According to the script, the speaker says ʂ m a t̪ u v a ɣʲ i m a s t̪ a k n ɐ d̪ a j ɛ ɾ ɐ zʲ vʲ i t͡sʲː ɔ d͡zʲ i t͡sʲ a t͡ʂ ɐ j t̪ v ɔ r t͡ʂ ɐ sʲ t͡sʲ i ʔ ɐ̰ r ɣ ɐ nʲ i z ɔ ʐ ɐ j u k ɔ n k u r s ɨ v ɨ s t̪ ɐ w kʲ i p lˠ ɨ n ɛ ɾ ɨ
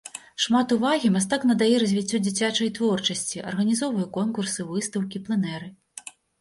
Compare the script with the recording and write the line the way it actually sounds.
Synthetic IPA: ʂ m a t̪ u v a ɣʲ i m a s t̪ a k n ɐ d̪ a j ɛ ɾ ɐ zʲ vʲ i t͡sʲː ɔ d͡zʲ i t͡sʲ a t͡ʂ ɐ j t̪ v ɔ r t͡ʂ ɐ sʲ t͡sʲ i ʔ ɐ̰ r ɣ ɐ nʲ i z ɔ v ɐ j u k ɔ n k u r s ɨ v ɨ s t̪ ɐ w kʲ i p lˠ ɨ n ɛ ɾ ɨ